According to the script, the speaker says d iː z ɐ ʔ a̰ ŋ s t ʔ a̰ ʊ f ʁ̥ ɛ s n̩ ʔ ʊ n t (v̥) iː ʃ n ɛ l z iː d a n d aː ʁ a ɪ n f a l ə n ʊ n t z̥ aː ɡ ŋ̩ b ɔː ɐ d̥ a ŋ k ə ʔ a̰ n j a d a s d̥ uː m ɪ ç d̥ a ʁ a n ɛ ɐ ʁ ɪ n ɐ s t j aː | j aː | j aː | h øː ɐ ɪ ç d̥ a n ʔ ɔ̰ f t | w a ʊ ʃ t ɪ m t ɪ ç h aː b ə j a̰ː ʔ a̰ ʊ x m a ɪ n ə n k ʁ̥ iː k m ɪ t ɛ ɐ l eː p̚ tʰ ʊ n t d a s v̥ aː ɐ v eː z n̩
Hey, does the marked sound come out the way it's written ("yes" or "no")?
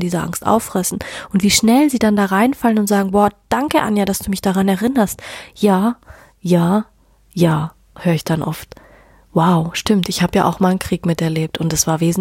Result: yes